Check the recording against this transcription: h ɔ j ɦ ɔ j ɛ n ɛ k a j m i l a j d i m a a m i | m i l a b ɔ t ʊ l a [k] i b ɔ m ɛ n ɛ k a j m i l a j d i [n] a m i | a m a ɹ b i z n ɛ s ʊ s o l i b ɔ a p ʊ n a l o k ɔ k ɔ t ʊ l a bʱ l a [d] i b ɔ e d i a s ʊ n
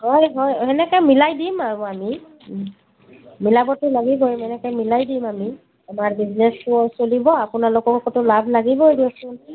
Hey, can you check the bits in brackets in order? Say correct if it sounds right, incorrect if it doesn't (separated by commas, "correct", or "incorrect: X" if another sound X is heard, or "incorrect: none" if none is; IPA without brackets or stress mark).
incorrect: ɡ, incorrect: m, incorrect: ɡ